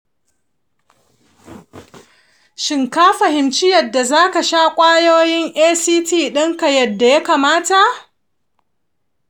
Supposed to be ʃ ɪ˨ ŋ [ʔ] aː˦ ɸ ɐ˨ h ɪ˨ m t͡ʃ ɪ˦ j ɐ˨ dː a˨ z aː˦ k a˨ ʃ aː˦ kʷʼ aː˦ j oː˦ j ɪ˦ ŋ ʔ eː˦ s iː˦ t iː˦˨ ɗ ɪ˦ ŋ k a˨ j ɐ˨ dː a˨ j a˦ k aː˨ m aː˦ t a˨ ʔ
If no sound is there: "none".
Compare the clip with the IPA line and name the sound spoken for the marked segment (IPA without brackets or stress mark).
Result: k